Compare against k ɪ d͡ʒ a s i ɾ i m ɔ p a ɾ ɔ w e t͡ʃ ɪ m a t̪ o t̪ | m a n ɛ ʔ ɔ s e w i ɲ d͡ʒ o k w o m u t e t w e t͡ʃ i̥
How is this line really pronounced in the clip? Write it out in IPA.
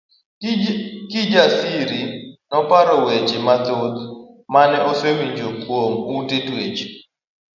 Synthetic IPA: k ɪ d͡ʒ a s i ɾ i n ɔ p a ɾ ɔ w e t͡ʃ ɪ m a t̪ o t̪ | m a n ɛ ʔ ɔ s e w i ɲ d͡ʒ o k w o m u t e t w e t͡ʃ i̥